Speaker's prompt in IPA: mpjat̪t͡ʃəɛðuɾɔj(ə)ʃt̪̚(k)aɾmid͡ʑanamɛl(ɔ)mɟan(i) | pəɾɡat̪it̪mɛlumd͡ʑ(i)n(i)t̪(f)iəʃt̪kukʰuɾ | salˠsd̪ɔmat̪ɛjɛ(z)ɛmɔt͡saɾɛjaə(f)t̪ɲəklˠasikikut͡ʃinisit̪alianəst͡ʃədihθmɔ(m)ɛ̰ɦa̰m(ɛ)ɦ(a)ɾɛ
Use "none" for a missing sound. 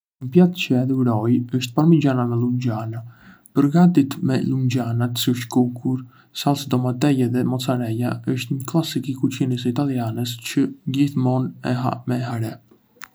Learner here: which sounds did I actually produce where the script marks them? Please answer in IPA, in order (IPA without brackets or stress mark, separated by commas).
ə, p, u, a, a, a, s, ð, ʃ, n, ɛ, a